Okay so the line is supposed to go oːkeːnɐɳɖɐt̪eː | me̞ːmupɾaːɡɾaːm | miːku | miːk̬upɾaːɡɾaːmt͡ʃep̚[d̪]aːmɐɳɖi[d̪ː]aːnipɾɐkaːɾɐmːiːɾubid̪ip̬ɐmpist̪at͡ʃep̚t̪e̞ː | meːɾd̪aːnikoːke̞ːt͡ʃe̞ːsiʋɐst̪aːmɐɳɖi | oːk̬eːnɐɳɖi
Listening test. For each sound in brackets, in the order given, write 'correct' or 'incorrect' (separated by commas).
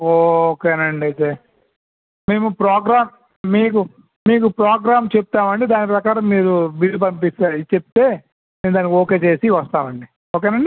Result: incorrect, incorrect